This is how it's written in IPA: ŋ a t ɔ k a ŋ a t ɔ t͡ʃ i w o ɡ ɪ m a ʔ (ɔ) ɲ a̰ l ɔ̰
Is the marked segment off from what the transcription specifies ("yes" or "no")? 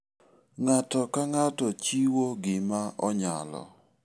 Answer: no